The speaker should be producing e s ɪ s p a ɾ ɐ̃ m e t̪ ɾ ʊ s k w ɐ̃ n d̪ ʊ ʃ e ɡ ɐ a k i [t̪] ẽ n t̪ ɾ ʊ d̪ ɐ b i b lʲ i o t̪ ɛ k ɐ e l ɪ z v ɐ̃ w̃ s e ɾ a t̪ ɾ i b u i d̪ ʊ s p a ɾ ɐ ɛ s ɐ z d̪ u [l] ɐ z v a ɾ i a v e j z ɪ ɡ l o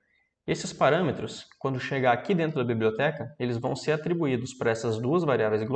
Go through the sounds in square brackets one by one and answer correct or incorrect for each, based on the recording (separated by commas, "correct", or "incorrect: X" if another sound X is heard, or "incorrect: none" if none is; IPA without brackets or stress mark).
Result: incorrect: d̪, incorrect: none